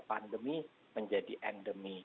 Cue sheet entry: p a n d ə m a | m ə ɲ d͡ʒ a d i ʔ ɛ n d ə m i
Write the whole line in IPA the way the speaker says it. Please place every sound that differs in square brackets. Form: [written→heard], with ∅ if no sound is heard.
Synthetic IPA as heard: p a n d ə m [a→i] | m ə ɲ d͡ʒ a d i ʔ ɛ n d ə m i

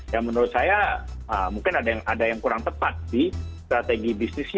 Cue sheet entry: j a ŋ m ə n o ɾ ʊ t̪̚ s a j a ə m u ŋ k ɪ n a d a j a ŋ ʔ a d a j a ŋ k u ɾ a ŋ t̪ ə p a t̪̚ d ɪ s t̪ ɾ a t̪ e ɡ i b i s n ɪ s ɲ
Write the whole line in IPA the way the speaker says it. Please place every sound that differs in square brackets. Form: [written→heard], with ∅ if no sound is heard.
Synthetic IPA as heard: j a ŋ m ə n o ɾ ʊ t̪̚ s a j a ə m u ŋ k ɪ n a d a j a ŋ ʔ a d a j a ŋ k u ɾ a ŋ t̪ ə p a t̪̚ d [ɪ→i] s t̪ ɾ a t̪ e ɡ i b i s n ɪ s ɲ

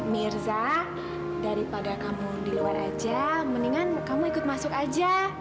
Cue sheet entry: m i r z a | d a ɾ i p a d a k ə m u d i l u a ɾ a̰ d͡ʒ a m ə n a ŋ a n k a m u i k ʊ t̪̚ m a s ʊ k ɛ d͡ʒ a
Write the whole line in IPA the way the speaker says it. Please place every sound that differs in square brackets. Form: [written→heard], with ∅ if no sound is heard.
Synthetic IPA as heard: m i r z a | d a ɾ i p a d a k [ə→a] m u d i l u a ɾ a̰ d͡ʒ a m ə n [a→i] ŋ a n k a m u i k ʊ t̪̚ m a s ʊ k [ɛ→a] d͡ʒ a

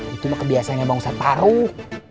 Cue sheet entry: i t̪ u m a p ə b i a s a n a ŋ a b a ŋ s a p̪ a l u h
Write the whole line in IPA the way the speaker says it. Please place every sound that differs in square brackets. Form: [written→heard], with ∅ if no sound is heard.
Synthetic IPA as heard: i t̪ u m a [p→k] ə b i a s a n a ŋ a b a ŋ s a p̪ a [l→ɾ] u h

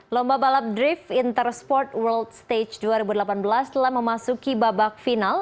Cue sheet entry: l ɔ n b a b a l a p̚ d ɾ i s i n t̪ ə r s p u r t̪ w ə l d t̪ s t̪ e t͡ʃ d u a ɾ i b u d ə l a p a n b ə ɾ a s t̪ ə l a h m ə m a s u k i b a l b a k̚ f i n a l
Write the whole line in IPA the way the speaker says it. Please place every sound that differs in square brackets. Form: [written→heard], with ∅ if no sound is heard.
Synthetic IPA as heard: l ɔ [n→m] b a b a l a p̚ d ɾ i [s→f] i n t̪ ə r s p [u→ɔ] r t̪ w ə l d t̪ s t̪ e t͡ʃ d u a ɾ i b u d ə l a p a n b ə [ɾ→l] a s t̪ ə l a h m ə m a s u k i b a [l→∅] b a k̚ f i n a l

